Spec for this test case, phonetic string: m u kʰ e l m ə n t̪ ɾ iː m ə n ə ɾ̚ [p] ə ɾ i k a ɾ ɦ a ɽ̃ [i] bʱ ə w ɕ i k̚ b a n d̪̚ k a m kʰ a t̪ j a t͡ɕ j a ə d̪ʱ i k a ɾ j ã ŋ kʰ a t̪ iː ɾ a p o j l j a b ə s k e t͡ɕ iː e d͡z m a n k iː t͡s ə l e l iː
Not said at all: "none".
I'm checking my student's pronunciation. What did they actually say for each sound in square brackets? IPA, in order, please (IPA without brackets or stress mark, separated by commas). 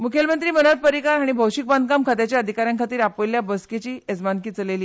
p, i